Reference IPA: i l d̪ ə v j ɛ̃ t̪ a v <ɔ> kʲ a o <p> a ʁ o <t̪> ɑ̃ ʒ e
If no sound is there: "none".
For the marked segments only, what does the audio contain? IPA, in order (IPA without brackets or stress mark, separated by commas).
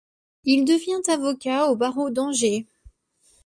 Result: ɔ, b, d̪